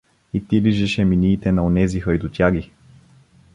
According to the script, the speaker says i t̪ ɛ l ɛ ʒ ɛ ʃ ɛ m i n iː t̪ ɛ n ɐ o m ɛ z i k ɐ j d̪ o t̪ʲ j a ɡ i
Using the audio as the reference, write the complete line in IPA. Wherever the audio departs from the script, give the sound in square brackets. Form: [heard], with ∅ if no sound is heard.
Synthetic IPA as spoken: i t̪ [i] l [i] ʒ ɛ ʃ ɛ m i n iː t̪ ɛ n ɐ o [n] ɛ z i [x] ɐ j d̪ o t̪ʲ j a ɡ i